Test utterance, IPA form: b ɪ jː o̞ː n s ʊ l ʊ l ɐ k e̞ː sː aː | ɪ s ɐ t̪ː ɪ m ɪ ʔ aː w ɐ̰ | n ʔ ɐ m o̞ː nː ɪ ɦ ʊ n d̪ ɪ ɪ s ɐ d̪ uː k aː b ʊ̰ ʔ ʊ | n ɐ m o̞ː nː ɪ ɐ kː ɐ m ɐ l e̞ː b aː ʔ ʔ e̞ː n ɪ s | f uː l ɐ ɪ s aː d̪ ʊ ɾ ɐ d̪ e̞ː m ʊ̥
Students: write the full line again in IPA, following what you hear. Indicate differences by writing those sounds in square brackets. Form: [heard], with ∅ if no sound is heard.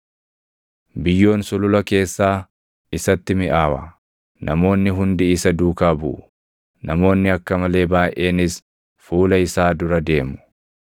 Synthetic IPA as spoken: b ɪ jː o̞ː n s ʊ l ʊ l ɐ k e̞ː sː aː | ɪ s ɐ t̪ː ɪ m ɪ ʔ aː w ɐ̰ | n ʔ ɐ m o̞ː nː ɪ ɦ ʊ n d̪ ɪ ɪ s ɐ d̪ uː k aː b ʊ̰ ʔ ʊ | n ɐ m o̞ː nː ɪ ɐ kː ɐ m ɐ l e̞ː b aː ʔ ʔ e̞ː n ɪ s | f uː l ɐ ɪ s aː d̪ ʊ ɾ ɐ d̪ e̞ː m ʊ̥